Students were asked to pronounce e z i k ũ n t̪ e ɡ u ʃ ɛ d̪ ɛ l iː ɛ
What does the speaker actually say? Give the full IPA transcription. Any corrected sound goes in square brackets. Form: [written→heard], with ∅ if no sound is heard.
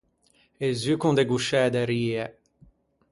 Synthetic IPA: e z [i→y] k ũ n [t̪→d̪] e ɡ u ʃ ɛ d̪ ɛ [l→ɾ] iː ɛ